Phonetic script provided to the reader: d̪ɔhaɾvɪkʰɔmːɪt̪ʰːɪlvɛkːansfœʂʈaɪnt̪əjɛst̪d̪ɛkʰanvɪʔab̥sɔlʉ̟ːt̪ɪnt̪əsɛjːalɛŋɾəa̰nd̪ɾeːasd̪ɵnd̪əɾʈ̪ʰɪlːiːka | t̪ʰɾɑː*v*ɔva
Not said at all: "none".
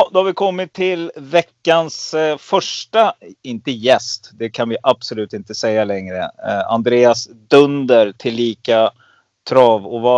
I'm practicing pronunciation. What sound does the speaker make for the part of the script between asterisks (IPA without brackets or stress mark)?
v